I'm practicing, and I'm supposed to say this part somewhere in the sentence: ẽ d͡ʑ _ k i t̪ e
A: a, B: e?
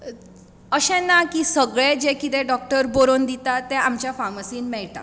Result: B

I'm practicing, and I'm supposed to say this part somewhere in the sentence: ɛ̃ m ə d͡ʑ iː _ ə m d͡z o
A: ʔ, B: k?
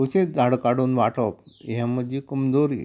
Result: B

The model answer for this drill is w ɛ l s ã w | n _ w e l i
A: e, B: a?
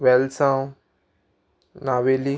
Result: B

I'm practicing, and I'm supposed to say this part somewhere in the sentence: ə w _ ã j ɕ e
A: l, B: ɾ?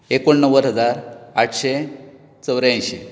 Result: B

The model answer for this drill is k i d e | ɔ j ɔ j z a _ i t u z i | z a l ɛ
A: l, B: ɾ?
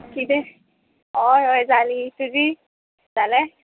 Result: A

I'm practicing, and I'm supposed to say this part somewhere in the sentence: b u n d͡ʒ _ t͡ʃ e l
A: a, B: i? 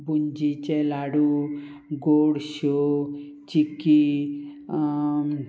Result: B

